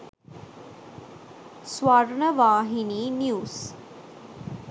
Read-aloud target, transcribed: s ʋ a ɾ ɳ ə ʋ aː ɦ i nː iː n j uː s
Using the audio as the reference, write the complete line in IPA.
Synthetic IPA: s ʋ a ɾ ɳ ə ʋ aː ɦ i n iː n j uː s